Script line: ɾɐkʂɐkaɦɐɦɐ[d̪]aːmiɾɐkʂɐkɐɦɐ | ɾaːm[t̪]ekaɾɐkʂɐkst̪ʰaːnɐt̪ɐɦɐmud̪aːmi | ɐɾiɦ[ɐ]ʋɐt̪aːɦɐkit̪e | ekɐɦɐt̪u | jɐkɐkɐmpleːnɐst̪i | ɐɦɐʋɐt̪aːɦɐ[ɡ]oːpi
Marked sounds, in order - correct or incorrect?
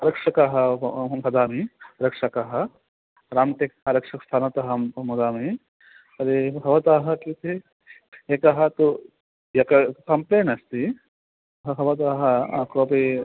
correct, correct, correct, incorrect

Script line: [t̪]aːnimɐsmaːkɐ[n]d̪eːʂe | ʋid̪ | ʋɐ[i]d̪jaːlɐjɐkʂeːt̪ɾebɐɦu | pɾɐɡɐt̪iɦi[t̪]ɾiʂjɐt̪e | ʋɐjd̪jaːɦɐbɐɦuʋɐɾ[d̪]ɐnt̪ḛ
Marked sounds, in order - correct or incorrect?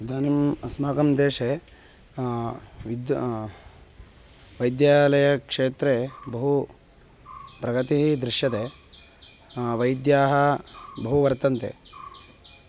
incorrect, incorrect, incorrect, incorrect, incorrect

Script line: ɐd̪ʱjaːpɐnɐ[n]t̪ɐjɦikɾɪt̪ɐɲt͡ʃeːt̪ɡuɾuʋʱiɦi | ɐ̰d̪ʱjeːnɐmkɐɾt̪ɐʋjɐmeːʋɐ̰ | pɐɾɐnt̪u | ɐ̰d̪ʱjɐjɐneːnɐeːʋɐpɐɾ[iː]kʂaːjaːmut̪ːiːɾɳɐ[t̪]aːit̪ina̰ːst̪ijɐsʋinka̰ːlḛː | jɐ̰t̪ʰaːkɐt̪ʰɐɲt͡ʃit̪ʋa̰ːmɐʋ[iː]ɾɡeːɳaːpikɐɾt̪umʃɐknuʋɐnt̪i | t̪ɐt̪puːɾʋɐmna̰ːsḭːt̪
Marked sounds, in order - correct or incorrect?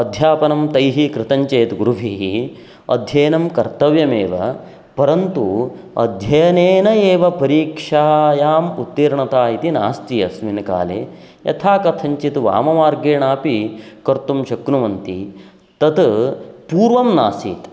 incorrect, correct, correct, incorrect

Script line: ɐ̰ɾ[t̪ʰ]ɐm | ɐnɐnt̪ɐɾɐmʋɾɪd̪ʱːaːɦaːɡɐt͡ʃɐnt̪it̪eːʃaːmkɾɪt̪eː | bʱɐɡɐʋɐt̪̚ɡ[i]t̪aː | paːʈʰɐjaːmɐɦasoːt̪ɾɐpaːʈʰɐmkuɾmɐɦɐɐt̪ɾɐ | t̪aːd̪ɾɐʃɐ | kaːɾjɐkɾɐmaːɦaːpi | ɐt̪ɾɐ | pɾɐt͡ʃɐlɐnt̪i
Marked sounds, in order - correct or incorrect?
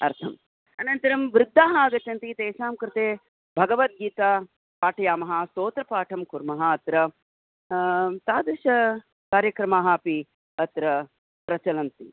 correct, incorrect

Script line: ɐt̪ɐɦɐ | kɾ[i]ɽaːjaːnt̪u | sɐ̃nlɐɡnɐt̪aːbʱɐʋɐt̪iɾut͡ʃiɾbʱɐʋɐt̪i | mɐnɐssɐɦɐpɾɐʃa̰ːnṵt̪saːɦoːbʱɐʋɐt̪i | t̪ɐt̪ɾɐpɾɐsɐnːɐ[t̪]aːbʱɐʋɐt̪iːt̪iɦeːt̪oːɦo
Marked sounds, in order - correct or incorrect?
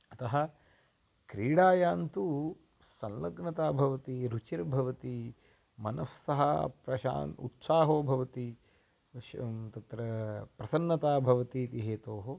incorrect, correct

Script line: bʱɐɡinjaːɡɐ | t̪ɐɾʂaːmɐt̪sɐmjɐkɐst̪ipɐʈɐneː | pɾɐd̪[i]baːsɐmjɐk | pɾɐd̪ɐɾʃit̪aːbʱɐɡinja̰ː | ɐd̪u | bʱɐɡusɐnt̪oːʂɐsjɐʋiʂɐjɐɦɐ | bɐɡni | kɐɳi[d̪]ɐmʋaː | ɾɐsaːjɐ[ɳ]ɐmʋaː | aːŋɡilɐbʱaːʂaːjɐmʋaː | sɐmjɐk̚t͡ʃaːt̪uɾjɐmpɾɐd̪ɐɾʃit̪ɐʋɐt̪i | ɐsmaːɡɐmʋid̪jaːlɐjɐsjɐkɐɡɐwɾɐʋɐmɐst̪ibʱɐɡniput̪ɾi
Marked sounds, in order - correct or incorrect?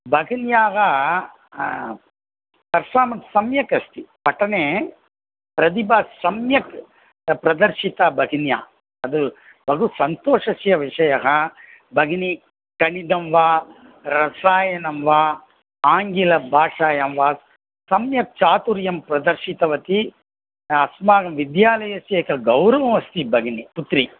correct, correct, incorrect

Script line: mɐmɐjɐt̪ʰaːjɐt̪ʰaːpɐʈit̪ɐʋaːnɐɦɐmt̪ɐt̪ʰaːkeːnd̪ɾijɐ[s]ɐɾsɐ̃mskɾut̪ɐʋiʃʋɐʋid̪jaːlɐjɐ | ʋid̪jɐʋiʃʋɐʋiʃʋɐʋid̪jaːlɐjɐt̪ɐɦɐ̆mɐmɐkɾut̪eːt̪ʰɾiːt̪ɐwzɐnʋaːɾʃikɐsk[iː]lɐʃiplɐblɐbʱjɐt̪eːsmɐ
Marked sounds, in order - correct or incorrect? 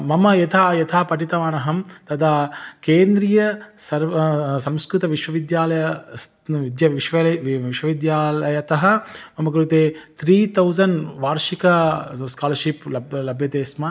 correct, incorrect

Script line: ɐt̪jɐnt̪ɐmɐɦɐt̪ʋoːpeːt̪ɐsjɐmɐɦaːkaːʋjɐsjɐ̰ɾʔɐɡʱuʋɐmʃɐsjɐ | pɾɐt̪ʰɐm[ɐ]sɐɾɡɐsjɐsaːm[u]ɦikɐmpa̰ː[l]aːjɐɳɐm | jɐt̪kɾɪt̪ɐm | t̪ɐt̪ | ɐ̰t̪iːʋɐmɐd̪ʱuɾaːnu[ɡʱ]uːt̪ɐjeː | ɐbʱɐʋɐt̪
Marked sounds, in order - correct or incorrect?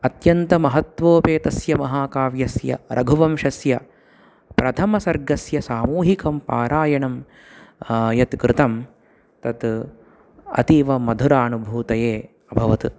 correct, incorrect, incorrect, incorrect

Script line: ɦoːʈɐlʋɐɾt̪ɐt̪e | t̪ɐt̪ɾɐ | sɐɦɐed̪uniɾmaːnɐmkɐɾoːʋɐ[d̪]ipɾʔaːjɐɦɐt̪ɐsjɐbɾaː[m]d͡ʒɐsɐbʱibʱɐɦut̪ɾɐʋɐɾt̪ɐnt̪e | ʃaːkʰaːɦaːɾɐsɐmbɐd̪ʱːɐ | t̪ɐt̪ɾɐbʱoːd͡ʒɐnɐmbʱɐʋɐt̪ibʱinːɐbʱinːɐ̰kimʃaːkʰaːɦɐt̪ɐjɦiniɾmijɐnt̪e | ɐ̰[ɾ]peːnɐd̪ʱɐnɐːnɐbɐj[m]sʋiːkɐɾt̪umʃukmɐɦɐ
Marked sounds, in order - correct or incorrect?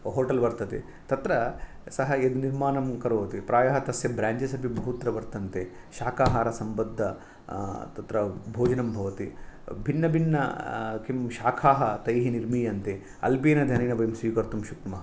incorrect, incorrect, incorrect, correct

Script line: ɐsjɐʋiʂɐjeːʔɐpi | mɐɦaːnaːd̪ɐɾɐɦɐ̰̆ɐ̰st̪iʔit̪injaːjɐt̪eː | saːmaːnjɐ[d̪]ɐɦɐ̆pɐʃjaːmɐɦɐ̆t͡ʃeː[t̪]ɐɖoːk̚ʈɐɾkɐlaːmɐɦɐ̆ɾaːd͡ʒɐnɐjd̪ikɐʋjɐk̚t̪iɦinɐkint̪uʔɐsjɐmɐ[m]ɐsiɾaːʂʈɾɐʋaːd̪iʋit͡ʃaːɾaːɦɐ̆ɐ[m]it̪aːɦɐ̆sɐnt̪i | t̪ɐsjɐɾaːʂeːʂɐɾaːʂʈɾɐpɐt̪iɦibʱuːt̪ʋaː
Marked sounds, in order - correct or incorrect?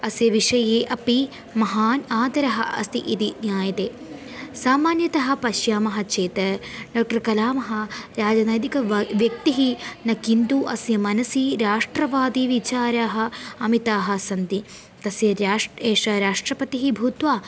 incorrect, correct, incorrect, correct

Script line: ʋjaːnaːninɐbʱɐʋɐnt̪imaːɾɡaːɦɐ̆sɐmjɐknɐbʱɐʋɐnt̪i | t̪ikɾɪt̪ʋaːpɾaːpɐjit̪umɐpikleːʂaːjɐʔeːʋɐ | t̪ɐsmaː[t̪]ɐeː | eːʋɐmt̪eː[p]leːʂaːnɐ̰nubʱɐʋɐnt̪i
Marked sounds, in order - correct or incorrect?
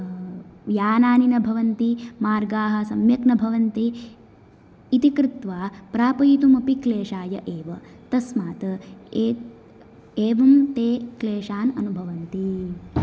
correct, incorrect

